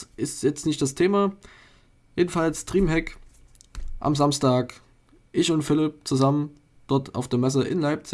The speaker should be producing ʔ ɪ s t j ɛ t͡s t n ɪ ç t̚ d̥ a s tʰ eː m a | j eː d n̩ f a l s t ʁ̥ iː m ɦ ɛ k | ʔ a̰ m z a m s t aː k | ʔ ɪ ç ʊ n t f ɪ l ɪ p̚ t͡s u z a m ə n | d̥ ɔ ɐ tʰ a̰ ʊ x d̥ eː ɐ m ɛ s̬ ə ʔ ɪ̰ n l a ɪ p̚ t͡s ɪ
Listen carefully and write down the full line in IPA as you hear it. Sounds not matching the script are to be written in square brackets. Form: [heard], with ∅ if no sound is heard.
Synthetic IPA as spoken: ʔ ɪ s t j ɛ t͡s t n ɪ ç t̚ d̥ a s tʰ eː m a | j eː d n̩ f a l s t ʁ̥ iː m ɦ ɛ k | ʔ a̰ m z a m s t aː k | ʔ ɪ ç ʊ n t f ɪ l ɪ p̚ t͡s u z a m ə n | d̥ ɔ ɐ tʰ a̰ ʊ [f] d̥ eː ɐ m ɛ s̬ ə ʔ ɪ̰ n l a ɪ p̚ t͡s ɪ